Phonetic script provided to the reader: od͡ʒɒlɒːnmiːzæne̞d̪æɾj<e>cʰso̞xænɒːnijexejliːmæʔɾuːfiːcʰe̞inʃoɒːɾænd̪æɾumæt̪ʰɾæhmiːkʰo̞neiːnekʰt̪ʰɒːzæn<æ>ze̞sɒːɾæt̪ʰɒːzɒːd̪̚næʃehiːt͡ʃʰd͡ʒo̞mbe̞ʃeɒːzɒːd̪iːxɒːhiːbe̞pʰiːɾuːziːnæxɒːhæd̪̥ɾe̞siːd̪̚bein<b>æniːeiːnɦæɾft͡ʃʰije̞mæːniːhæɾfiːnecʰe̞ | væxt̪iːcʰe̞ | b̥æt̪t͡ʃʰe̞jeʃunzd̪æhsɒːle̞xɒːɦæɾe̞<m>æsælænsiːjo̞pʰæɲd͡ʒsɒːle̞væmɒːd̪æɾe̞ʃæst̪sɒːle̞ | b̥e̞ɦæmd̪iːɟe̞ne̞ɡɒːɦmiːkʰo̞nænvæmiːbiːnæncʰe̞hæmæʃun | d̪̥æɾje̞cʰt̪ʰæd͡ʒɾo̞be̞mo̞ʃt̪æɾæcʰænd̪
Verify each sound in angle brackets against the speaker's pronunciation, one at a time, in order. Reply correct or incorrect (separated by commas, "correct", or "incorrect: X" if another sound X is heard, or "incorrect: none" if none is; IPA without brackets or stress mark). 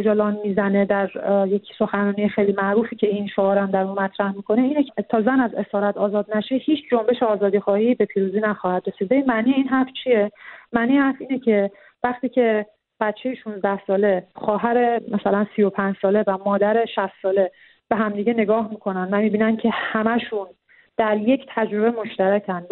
correct, correct, incorrect: m, correct